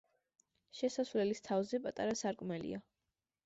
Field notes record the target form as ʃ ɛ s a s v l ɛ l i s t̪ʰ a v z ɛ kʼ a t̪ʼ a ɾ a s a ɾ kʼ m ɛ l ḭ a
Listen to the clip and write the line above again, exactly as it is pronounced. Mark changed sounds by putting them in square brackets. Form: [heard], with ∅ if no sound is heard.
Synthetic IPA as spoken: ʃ ɛ s a s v l ɛ l i s t̪ʰ a v z ɛ [pʼ] a t̪ʼ a ɾ a s a ɾ kʼ m ɛ l ḭ a